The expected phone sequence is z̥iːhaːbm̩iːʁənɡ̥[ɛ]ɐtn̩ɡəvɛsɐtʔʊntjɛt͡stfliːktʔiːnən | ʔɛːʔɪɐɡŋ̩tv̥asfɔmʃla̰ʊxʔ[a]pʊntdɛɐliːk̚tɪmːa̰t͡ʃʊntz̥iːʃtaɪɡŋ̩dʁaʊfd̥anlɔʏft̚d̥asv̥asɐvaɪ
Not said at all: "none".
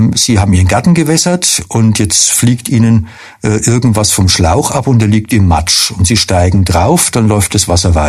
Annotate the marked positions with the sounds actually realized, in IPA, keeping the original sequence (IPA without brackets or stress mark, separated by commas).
a, a